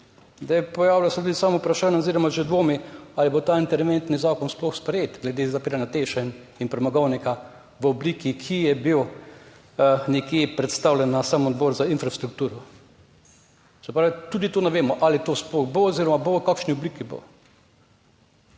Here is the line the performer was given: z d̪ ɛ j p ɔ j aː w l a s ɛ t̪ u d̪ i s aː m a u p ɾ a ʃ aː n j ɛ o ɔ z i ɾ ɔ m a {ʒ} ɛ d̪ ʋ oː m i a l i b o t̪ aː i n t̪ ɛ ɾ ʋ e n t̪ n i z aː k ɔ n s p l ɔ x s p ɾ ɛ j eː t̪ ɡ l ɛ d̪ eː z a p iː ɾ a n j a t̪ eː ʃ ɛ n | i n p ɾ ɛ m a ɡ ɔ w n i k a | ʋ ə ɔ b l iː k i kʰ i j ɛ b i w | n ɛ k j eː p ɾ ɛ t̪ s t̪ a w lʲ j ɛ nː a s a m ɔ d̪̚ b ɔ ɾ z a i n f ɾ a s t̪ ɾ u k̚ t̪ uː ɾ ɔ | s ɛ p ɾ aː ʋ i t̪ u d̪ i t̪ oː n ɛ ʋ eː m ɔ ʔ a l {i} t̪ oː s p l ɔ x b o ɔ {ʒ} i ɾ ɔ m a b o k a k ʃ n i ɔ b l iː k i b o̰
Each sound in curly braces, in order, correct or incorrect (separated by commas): correct, correct, incorrect